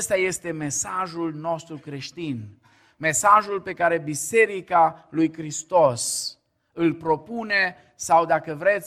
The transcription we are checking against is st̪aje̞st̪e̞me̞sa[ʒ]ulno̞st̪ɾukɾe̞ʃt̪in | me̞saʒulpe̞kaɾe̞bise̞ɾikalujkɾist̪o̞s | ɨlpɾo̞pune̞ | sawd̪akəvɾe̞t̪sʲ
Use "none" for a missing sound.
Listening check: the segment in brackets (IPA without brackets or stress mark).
ʒ